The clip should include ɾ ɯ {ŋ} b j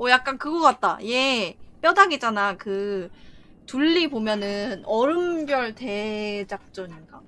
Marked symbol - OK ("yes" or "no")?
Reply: no